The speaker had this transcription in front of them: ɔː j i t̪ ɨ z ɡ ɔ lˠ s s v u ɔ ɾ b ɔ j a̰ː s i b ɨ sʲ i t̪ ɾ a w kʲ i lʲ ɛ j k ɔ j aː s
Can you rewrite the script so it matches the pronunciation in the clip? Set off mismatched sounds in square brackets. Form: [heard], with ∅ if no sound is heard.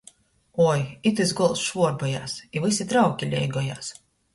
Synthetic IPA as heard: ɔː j i t̪ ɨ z ɡ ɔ lˠ s [ʃ] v u ɔ ɾ b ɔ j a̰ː s i [v] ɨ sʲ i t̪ ɾ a w kʲ i lʲ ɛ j [ɡ] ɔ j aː s